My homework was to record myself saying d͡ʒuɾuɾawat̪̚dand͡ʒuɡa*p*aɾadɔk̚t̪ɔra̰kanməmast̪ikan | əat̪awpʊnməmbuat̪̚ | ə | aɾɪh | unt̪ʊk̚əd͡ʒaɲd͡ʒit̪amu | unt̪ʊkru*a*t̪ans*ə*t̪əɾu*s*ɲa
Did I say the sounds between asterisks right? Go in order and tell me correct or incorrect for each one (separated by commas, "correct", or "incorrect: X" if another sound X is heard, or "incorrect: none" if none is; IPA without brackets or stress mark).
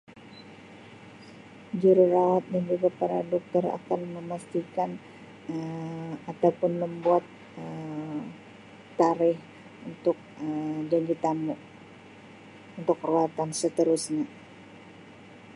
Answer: correct, correct, correct, correct